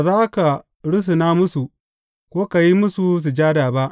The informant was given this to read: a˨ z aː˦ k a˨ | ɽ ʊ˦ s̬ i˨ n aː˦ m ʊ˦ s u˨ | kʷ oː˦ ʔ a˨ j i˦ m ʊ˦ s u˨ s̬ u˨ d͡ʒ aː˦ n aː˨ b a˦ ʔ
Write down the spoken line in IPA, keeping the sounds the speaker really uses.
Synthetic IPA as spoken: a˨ z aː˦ k a˨ | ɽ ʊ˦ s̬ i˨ n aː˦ m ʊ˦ s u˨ | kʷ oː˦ k a˨ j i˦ m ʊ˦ s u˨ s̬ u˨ d͡ʒ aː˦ d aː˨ b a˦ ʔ